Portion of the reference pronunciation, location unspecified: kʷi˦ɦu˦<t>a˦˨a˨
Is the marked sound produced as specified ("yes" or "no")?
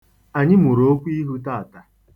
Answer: yes